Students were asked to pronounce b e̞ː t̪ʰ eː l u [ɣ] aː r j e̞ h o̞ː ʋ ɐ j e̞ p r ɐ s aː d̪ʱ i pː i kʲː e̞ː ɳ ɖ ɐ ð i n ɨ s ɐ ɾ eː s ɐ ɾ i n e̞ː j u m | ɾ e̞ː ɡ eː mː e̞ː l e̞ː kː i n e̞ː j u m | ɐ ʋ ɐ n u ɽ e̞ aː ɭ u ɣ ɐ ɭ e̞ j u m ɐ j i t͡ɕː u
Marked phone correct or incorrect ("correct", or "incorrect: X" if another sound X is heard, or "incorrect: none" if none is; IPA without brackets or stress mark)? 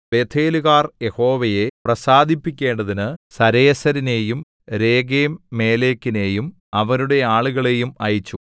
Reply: correct